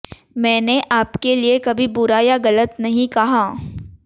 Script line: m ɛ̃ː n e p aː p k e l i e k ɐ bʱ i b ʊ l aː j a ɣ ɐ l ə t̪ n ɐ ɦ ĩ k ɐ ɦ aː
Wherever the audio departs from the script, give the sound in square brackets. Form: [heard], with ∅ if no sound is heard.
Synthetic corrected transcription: m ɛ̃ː n e [ʔ] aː p k e l i e k ɐ bʱ i b ʊ [ɾ] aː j a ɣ ɐ l ə t̪ n ɐ ɦ ĩ k ɐ ɦ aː